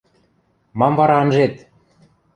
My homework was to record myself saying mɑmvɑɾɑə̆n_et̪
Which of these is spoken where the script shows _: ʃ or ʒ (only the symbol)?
ʒ